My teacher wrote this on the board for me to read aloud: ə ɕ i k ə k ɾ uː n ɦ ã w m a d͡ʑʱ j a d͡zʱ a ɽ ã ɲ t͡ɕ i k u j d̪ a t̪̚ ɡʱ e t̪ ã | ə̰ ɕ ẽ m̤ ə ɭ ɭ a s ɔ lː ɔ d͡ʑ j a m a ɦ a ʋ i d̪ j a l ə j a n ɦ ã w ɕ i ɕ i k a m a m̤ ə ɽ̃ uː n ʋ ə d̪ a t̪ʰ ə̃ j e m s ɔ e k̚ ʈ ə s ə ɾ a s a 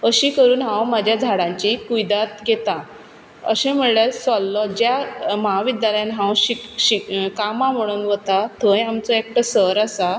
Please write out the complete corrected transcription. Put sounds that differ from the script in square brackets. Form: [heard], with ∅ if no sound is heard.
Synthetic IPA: ə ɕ i k ə [∅] ɾ uː n ɦ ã w m a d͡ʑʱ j a d͡zʱ a ɽ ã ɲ t͡ɕ i k u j d̪ a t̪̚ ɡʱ e t̪ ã | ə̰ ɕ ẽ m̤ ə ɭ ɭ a s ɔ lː ɔ d͡ʑ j a m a ɦ a ʋ i d̪ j a l ə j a n ɦ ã w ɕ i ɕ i k a m a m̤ ə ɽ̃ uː n ʋ ə [t̪] a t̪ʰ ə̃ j [a] m [t͡s] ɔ e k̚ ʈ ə s ə ɾ a s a